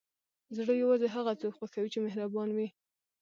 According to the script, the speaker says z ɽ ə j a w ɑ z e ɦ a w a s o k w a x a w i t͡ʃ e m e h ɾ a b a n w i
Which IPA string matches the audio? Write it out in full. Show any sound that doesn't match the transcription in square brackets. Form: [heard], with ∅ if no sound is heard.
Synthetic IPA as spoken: z ɽ ə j a w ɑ z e ɦ a [ɣ] a [t͡s] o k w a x a w i t͡ʃ e m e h ɾ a b [ɑ] n w i